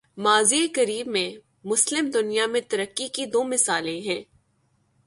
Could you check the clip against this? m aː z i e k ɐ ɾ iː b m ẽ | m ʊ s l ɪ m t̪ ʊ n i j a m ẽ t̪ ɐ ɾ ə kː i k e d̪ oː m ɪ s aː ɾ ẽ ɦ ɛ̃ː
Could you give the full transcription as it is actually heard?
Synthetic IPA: m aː z i e k ɐ ɾ iː b m ẽ | m ʊ s l ɪ m d̪ ʊ n i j a m ẽ t̪ ɐ ɾ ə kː i k i d̪ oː m ɪ s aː l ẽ ɦ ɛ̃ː